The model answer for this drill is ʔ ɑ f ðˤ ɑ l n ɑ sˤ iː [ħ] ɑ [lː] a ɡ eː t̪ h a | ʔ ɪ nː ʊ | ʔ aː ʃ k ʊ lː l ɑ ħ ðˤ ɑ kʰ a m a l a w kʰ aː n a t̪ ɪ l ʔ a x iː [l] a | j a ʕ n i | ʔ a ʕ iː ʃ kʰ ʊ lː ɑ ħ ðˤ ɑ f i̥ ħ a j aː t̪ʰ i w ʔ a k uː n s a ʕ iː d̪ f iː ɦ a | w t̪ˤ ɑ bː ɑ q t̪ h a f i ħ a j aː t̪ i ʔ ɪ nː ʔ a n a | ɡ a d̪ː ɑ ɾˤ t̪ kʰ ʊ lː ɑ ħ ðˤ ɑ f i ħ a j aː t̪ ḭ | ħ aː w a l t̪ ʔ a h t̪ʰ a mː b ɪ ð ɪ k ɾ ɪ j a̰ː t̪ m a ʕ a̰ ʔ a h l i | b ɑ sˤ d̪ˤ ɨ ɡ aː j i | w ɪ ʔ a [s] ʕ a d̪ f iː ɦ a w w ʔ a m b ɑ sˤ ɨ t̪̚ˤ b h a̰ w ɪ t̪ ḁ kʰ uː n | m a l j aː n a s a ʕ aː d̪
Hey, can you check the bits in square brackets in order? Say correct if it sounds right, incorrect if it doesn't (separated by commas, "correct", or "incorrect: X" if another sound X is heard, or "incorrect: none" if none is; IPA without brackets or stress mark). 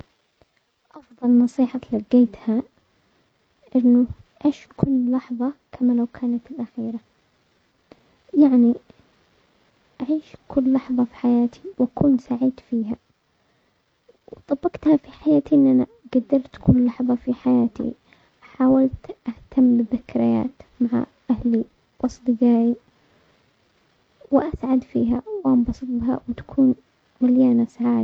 correct, incorrect: l, incorrect: ɾ, correct